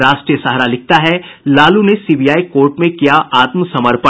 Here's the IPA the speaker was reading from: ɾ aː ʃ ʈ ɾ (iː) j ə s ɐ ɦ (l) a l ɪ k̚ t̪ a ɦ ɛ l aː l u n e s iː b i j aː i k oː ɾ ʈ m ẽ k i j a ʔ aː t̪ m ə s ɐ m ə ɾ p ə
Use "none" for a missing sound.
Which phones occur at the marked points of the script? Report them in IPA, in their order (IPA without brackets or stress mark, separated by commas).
i, ɾ